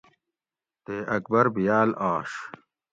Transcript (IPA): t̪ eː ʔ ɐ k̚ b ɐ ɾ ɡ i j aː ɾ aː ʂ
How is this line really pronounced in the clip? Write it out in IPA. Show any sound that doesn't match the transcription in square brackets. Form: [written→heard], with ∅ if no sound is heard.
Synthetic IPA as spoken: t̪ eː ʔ ɐ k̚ b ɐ ɾ [ɡ→b] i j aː [ɾ→l] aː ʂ